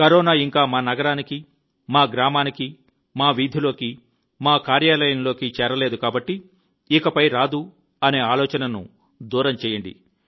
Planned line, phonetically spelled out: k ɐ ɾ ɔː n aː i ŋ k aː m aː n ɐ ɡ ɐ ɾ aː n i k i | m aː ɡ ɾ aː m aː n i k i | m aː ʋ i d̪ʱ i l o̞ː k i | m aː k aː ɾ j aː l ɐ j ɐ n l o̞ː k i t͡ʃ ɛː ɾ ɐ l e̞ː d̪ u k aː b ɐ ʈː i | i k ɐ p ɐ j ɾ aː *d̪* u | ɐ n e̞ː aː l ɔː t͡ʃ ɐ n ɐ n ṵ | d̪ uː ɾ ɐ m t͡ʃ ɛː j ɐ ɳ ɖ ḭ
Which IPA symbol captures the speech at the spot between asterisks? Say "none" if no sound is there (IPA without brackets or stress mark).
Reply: d̪